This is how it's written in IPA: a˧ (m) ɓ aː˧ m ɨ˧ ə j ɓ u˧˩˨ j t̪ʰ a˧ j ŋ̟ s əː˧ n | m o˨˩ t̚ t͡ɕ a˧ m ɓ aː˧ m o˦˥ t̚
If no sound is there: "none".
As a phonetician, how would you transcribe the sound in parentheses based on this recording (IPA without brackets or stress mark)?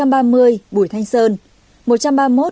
m